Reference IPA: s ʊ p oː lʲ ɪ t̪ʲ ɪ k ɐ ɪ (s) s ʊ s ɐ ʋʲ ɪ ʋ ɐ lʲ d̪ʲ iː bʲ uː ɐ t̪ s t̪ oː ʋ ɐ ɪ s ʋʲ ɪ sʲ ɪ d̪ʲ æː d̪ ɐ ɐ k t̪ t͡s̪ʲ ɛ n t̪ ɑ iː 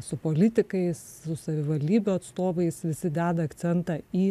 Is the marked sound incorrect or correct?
correct